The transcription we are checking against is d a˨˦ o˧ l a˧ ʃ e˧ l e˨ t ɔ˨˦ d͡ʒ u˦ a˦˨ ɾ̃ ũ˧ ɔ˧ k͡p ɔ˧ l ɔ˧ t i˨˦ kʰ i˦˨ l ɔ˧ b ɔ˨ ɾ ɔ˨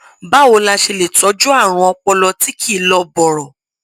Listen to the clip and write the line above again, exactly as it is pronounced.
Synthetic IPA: b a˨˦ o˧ l a˧ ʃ e˧ l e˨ t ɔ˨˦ d͡ʒ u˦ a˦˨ ɾ̃ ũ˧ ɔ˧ k͡p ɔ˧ l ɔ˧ t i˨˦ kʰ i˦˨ l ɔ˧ b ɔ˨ ɾ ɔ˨